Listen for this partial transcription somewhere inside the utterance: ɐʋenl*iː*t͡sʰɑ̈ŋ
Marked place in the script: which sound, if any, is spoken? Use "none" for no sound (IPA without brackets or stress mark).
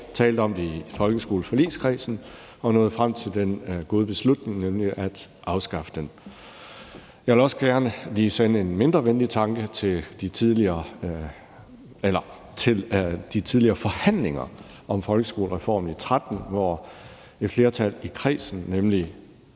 i